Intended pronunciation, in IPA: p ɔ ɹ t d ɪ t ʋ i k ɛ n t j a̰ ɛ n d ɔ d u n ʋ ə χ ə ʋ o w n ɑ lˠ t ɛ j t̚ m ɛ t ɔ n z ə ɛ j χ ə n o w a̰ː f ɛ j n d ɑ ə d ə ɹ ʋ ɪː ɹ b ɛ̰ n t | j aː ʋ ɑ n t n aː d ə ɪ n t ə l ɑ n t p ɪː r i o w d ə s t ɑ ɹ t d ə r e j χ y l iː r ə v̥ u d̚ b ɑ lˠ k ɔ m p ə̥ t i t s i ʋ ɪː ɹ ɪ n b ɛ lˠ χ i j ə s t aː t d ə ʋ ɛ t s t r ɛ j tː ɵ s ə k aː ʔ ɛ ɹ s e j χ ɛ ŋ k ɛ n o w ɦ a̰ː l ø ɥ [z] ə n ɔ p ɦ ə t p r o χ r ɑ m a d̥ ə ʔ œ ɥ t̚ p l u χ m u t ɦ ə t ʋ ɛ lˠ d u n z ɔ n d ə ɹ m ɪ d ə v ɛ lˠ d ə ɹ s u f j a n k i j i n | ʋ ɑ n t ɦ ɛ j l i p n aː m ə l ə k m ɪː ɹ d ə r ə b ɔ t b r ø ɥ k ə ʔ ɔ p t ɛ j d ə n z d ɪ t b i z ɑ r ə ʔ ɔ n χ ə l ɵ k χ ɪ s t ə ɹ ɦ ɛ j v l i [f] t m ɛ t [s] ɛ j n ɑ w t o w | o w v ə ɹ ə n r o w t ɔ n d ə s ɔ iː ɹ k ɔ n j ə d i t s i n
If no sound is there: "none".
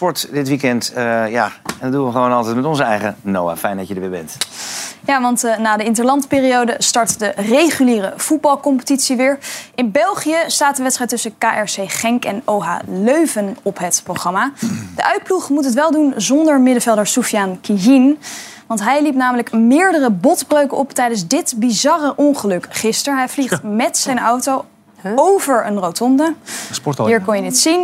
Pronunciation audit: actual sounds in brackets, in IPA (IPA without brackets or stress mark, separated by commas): v, χ, s